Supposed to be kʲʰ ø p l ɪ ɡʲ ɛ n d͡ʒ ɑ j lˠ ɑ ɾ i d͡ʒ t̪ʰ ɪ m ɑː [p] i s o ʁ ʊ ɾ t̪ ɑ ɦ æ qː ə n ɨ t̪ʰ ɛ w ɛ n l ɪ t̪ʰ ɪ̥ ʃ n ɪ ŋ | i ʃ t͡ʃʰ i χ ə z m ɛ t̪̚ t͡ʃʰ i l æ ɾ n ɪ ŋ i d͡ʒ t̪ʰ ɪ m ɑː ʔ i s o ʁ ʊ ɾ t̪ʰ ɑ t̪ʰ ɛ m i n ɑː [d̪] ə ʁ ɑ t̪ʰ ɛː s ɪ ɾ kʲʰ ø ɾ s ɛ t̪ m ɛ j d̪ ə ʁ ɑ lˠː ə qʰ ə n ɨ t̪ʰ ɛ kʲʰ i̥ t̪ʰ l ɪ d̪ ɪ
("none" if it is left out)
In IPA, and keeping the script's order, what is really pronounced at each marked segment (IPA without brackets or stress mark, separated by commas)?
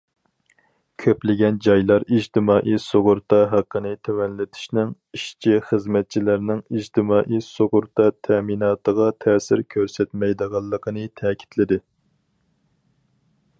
ʔ, t̪